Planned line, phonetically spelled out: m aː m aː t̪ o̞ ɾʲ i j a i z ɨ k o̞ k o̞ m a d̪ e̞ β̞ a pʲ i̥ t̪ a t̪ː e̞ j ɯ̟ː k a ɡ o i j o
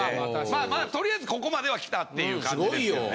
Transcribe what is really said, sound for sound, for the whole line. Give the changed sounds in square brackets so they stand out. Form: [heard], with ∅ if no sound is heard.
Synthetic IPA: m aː m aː t̪ o̞ ɾʲ i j a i z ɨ k o̞ k o̞ m a d̪ e̞ β̞ a [kʲ] i̥ t̪ a t̪ː e̞ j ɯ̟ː k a ɡ o i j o